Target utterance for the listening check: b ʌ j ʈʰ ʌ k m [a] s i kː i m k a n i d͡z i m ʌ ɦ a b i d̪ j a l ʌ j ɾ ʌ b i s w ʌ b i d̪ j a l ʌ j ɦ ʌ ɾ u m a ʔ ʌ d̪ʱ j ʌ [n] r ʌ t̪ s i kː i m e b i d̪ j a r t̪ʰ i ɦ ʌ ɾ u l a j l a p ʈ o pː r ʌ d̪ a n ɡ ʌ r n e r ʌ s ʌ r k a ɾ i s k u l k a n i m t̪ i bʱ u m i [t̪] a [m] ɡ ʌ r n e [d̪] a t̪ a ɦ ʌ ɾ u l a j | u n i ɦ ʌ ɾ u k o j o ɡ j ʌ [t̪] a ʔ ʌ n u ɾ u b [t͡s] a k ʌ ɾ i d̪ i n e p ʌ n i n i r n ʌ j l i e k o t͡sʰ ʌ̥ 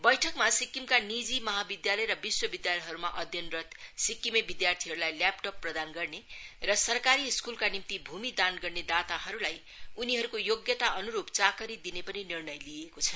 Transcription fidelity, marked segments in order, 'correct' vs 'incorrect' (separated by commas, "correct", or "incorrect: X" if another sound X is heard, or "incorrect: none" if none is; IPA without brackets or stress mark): correct, correct, incorrect: d̪, incorrect: n, correct, correct, correct